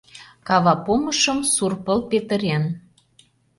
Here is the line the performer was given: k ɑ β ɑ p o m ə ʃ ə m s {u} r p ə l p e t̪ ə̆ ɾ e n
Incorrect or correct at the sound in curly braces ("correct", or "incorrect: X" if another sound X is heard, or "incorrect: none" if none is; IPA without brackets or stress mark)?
correct